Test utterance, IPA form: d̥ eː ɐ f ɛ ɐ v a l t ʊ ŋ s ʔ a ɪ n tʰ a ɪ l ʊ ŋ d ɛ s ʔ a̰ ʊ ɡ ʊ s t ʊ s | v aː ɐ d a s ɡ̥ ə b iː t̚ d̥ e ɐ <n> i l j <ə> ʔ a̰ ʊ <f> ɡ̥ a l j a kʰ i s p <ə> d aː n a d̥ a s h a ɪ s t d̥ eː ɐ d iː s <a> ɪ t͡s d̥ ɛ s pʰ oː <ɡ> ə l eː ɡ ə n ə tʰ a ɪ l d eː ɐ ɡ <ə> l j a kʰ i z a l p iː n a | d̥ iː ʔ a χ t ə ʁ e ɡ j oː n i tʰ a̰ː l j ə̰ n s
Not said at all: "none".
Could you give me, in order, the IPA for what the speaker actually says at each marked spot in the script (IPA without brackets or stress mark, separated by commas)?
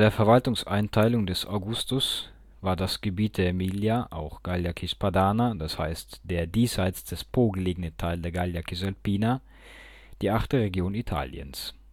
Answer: m, a, x, a, a, ɡ, a